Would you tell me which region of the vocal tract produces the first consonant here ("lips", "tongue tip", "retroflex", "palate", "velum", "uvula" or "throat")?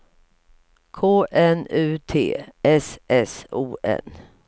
velum